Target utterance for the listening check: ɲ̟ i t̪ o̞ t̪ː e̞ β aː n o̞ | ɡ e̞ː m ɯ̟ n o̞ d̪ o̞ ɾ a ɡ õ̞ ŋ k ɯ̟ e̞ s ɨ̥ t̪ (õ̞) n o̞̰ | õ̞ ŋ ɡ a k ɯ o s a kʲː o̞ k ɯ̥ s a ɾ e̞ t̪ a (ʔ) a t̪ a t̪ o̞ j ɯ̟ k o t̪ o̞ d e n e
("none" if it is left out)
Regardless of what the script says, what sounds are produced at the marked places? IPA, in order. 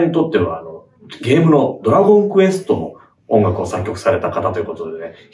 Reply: o̞, k

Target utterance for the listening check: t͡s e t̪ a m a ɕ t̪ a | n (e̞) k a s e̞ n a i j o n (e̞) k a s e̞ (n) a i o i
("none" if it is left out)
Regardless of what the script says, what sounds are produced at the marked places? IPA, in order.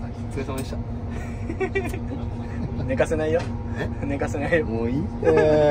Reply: e̞, e̞, n

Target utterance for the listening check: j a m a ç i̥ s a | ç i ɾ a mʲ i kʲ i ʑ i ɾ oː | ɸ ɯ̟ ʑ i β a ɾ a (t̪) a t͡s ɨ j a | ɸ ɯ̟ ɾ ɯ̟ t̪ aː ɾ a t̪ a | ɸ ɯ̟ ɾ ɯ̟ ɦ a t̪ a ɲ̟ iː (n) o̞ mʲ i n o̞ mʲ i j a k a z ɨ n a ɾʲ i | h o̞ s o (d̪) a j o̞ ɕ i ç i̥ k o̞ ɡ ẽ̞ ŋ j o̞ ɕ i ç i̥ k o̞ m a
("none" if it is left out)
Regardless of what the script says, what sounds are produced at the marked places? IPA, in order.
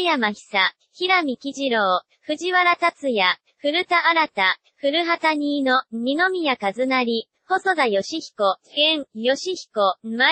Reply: t̪, n, d̪

